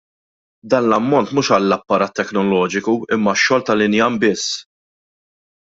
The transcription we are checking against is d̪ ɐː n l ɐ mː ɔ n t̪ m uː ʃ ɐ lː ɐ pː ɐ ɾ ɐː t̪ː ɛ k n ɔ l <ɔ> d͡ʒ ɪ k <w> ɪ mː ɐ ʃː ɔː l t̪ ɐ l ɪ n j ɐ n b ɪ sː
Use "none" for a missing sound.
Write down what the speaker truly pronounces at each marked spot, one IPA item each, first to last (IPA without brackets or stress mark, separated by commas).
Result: ɔː, u